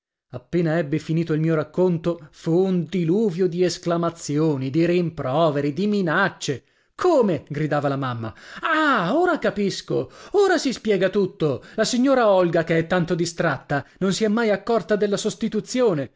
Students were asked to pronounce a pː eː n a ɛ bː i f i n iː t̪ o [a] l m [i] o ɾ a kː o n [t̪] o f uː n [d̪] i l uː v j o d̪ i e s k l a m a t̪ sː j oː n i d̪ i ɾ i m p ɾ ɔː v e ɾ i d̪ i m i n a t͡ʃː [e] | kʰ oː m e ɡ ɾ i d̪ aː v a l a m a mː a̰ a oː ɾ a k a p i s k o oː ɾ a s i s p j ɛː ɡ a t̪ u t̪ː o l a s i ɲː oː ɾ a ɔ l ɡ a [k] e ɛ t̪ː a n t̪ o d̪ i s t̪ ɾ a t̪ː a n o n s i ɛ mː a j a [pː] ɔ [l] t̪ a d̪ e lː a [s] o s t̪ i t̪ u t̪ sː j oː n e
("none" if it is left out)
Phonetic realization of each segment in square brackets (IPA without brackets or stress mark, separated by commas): i, iː, t̪, d̪, e, k, kː, r, s